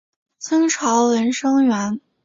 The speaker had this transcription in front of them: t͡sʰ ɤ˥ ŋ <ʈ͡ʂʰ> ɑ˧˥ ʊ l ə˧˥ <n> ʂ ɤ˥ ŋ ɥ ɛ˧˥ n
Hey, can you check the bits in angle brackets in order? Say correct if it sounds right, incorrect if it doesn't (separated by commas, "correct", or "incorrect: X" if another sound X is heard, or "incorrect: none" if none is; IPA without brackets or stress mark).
correct, correct